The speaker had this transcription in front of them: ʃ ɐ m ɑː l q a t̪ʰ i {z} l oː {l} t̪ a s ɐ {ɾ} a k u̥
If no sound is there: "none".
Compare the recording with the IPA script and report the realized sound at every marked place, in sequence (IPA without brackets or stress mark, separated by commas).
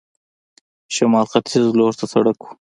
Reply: z, ɾ, ɽ